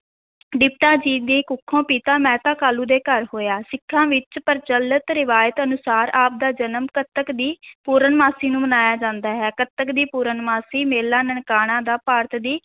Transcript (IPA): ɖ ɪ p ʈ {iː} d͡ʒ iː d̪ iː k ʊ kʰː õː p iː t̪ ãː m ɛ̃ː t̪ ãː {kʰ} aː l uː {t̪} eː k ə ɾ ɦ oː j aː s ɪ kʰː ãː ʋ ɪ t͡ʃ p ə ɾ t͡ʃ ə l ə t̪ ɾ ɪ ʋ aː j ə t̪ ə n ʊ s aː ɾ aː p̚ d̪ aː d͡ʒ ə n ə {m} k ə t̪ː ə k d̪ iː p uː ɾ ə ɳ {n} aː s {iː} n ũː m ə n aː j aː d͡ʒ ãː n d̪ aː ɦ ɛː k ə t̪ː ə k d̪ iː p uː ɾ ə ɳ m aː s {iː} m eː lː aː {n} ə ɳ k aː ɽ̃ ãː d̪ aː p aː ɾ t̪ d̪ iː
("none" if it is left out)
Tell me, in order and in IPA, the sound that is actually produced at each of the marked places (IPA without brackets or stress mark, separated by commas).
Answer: aː, k, d̪, m, m, iː, iː, n